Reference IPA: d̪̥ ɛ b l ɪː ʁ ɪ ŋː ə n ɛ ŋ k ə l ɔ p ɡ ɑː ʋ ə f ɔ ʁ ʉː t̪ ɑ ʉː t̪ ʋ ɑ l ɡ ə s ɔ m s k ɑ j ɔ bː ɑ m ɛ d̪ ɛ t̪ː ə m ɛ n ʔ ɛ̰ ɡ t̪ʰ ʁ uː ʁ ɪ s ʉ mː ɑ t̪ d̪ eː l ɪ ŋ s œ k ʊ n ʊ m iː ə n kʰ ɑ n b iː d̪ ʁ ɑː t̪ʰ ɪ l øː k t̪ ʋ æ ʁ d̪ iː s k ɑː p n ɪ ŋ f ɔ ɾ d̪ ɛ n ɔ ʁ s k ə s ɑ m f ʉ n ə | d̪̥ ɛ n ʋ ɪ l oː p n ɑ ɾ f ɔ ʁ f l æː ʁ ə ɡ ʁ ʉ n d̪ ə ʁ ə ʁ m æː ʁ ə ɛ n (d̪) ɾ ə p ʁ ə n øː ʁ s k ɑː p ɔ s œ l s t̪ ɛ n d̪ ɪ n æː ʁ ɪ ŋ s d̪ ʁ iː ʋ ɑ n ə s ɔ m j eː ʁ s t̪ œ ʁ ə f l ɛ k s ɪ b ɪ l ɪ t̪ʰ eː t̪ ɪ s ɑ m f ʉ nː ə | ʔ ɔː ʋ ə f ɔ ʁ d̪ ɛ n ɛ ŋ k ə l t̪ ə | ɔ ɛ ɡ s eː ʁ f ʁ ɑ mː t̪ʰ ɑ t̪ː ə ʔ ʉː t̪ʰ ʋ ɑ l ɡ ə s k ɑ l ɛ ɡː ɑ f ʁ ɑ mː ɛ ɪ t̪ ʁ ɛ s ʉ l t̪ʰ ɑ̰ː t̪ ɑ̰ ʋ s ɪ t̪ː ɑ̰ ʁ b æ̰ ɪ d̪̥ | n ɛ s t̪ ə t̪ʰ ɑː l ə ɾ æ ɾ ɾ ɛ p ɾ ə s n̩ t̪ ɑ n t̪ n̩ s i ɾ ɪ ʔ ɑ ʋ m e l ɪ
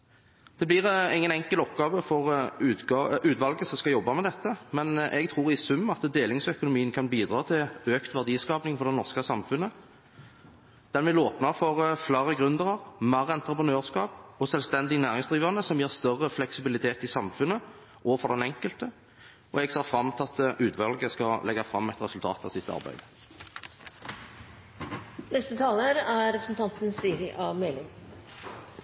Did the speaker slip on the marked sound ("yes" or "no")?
yes